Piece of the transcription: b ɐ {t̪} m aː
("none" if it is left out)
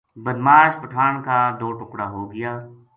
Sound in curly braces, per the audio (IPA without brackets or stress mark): d̪